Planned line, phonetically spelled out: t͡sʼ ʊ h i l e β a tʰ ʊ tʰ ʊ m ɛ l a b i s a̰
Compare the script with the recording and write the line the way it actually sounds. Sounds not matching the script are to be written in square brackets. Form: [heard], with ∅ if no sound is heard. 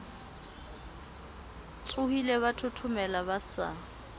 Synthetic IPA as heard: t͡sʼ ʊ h i l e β a tʰ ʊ tʰ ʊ m ɛ l a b [a] s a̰